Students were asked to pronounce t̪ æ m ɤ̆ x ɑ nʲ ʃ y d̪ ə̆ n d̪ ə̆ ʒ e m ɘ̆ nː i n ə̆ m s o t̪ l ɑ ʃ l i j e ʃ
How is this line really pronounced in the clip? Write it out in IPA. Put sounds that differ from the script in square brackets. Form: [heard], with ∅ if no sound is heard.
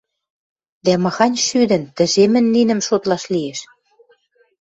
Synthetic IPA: [d̪] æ m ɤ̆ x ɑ nʲ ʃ y d̪ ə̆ n [t̪] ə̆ ʒ e m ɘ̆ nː i n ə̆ m [ʃ] o t̪ l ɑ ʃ l i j e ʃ